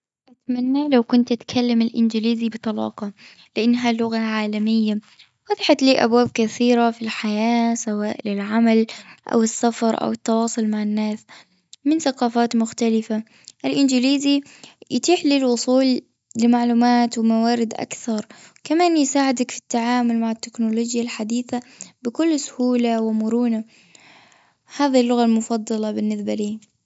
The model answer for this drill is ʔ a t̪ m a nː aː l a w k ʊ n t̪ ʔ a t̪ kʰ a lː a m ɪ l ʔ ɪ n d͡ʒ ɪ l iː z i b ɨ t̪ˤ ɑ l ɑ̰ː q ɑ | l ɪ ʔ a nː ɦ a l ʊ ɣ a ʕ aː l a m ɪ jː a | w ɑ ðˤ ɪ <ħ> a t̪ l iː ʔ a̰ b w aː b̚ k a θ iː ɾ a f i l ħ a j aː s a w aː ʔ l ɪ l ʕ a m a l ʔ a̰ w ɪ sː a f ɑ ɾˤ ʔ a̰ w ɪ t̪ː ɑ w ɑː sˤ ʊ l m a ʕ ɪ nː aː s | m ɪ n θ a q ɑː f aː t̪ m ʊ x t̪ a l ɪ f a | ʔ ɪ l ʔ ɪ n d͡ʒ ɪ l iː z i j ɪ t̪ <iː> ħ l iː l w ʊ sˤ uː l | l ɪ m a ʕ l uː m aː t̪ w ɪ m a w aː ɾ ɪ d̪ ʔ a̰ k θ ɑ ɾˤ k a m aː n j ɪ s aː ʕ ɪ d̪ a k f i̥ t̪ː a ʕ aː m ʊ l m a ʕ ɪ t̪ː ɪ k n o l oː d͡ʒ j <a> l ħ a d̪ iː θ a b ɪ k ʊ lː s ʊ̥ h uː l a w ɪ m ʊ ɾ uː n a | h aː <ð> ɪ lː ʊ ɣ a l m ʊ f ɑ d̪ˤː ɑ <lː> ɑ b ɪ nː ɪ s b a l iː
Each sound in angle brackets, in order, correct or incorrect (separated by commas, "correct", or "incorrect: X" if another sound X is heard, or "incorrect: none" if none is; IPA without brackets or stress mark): correct, correct, correct, correct, incorrect: l